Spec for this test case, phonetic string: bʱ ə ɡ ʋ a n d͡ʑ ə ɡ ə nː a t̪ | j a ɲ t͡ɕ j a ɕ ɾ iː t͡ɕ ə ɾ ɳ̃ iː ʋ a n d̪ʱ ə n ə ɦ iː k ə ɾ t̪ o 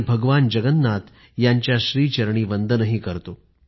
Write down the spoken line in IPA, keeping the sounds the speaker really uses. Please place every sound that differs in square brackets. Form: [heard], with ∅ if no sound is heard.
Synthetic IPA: bʱ ə ɡ ʋ a n d͡ʑ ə ɡ ə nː a t̪ | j a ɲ t͡ɕ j a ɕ ɾ iː t͡ɕ ə ɾ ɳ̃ iː ʋ [ə] n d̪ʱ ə n ə ɦ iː k ə ɾ t̪ o